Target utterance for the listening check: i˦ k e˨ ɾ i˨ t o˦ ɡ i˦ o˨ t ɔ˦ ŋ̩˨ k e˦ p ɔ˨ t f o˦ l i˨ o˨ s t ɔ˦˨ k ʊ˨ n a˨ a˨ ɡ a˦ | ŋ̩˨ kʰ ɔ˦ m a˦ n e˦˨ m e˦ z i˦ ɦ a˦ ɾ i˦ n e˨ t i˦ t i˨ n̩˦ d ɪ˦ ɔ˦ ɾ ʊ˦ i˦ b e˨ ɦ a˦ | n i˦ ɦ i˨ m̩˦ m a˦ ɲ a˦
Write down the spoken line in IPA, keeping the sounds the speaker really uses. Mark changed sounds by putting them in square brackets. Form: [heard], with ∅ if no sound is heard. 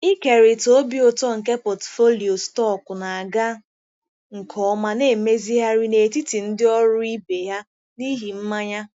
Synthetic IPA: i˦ k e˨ ɾ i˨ t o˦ [b] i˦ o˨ t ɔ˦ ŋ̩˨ k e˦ p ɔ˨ t f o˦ l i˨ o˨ s t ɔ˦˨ k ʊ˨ n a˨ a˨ ɡ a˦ | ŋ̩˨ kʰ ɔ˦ m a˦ n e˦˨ m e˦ z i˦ ɦ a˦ ɾ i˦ n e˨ t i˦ t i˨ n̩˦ d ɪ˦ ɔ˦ ɾ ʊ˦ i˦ b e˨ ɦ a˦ | n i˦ ɦ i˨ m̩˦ m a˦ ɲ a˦